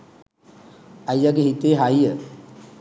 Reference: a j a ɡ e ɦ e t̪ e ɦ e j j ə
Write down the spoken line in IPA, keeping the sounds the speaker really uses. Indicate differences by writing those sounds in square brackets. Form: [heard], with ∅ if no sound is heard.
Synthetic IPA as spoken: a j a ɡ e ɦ [i] t̪ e ɦ [a] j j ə